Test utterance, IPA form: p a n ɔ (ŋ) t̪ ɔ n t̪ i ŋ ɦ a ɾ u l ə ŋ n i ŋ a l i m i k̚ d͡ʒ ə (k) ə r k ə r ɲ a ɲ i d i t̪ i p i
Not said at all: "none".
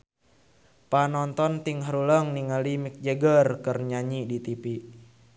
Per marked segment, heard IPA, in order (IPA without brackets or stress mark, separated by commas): n, ɡ